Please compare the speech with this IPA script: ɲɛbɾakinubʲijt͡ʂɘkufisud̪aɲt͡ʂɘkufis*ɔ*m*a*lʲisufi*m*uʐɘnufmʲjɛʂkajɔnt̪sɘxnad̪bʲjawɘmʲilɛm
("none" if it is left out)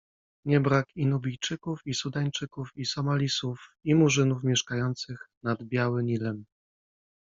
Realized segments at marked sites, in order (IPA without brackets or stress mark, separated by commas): ɔ, a, m